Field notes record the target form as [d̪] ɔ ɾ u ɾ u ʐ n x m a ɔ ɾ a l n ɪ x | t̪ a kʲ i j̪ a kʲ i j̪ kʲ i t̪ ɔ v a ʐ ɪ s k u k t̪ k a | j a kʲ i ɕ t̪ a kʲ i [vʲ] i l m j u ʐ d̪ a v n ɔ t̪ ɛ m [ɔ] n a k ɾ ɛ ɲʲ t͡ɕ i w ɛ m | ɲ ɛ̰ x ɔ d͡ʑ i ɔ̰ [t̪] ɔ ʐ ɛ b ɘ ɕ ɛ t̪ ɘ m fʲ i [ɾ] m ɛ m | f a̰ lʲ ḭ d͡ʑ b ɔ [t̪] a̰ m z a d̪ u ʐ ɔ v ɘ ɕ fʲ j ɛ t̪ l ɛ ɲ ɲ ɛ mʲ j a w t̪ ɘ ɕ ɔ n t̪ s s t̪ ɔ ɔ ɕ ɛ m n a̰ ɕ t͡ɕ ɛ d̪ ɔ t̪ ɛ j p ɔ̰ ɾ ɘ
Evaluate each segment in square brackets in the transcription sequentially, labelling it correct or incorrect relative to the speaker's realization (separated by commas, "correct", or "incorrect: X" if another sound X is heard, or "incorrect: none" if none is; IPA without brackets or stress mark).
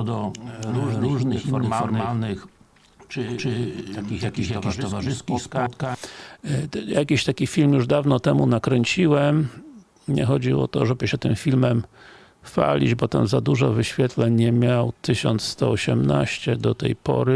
correct, incorrect: fʲ, incorrect: u, correct, incorrect: l, correct